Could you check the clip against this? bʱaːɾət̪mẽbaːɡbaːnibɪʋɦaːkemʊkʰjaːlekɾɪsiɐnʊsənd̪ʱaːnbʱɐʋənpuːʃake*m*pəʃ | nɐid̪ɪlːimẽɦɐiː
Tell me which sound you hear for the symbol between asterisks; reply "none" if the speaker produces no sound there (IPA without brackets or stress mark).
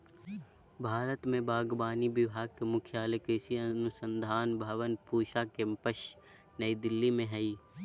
m